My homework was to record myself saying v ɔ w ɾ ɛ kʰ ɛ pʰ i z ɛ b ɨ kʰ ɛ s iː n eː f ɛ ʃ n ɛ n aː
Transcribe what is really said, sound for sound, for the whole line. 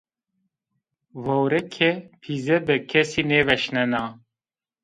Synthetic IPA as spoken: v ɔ w ɾ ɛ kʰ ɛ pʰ i z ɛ b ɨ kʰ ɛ s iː n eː v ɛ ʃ n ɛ n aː